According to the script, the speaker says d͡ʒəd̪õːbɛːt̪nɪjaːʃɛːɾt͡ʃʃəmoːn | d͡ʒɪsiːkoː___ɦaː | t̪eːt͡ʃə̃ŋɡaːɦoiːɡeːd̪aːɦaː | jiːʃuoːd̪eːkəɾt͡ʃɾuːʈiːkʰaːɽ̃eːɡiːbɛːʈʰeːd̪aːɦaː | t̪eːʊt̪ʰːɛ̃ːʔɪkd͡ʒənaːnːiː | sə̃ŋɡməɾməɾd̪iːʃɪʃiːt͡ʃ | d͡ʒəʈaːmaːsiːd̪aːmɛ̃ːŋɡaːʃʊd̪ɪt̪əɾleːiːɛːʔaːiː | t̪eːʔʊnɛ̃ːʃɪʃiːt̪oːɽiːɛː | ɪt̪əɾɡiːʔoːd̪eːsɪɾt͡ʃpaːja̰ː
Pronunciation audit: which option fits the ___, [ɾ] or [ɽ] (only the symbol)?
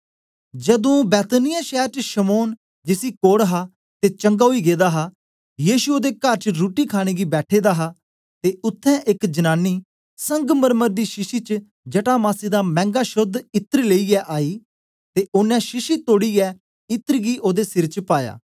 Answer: ɽ